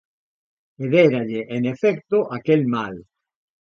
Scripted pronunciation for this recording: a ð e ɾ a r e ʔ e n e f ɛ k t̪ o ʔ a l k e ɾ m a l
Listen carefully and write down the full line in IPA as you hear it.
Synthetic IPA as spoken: e ð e ɾ a ʎ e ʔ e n e f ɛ k t̪ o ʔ a k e l m a l